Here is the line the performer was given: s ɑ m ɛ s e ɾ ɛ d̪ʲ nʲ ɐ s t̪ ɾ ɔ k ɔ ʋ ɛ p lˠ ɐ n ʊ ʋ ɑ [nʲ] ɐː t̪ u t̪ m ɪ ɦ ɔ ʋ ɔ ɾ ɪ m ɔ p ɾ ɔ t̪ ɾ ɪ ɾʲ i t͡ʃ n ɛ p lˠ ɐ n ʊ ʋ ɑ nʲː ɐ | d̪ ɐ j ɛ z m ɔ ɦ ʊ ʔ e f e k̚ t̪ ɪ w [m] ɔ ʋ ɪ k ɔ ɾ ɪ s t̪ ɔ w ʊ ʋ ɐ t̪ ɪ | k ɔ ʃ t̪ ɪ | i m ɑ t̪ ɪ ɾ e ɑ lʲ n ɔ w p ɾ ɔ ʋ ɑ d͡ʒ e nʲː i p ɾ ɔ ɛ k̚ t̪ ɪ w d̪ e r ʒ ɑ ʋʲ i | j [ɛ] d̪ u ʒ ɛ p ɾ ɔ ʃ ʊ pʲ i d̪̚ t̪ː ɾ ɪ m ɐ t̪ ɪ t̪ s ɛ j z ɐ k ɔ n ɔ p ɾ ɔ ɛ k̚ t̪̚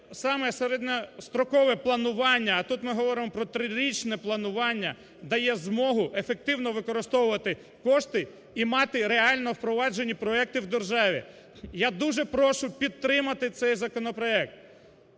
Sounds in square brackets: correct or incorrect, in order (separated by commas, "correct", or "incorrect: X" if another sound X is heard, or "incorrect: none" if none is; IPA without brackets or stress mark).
incorrect: nʲː, incorrect: n, incorrect: a